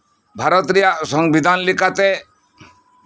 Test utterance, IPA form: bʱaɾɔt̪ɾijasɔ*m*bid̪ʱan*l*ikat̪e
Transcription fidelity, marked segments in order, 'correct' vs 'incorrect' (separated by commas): incorrect, correct